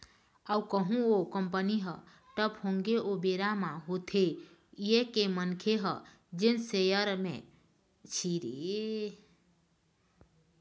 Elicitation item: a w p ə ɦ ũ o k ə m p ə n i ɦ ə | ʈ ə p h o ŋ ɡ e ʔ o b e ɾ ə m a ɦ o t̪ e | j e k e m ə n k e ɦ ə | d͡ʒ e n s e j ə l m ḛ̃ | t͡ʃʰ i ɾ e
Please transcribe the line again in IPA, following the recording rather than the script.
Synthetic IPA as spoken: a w k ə ɦ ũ o k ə m p ə n i ɦ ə | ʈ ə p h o ŋ ɡ e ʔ o b e ɾ a m a ɦ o t̪ʰ e | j e k e m ə n kʰ e ɦ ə | d͡ʒ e n s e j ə ɾ m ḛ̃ | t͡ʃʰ i ɾ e